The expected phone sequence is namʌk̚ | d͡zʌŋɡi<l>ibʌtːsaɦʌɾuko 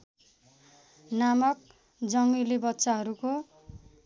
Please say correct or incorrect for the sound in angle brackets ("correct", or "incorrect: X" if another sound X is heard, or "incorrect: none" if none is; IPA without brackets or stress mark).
correct